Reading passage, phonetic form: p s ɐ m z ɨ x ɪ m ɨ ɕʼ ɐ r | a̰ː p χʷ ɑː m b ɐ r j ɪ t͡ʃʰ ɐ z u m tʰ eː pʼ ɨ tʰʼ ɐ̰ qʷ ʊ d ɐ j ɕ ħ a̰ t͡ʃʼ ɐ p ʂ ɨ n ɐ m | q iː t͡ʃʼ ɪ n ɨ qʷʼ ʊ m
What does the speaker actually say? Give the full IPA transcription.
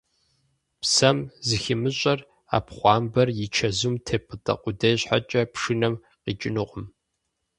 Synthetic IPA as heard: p s ɐ m z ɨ x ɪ m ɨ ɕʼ ɐ r | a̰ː p χʷ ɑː m b ɐ r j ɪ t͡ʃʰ ɐ z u m tʰ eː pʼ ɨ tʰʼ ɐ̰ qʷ ʊ d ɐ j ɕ ħ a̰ t͡ʃʼ ɐ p ʂ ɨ n ɐ m | q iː t͡ʃʼ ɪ n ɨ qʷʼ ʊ m